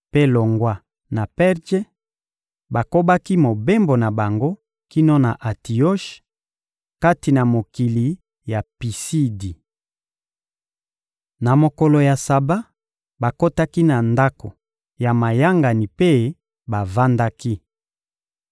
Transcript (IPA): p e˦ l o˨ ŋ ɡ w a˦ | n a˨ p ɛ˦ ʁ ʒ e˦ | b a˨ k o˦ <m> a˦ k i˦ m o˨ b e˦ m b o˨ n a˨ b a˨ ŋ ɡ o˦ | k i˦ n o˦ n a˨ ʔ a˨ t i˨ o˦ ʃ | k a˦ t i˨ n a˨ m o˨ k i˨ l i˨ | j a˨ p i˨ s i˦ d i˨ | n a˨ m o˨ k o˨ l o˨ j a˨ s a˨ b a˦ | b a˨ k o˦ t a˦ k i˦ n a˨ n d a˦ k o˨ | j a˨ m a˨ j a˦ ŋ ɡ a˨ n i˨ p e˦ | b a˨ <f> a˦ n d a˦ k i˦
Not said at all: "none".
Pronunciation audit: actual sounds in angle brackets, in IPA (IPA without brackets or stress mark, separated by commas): b, v